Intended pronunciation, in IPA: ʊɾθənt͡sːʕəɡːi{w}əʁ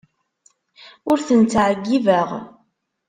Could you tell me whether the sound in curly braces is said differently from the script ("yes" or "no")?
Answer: yes